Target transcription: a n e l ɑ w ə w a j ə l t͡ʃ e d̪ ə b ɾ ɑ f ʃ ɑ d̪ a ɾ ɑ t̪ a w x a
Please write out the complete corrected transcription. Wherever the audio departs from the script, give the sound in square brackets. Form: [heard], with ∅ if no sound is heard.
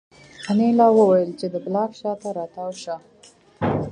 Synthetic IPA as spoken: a n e l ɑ w ə w a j ə l t͡ʃ e d̪ ə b [l] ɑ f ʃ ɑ [t̪] a ɾ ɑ t̪ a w [ʃ] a